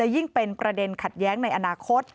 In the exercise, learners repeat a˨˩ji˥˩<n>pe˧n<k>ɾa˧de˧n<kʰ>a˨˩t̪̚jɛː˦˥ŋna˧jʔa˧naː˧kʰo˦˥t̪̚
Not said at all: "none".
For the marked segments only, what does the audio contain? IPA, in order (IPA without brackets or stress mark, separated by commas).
ŋ, p, kʰ